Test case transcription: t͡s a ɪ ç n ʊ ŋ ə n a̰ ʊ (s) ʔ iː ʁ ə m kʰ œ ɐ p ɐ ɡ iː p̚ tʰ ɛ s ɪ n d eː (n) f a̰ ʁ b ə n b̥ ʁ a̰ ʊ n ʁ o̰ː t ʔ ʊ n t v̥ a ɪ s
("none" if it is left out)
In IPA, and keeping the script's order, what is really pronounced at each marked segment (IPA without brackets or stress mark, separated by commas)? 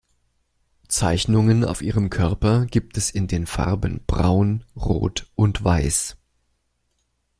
f, n